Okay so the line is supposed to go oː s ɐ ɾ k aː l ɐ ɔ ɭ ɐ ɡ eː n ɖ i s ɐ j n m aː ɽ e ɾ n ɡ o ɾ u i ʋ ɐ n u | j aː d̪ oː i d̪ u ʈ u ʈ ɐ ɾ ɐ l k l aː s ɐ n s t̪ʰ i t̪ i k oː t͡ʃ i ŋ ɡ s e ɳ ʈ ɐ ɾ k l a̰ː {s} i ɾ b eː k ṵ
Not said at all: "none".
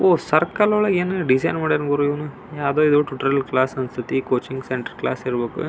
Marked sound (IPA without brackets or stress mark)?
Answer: s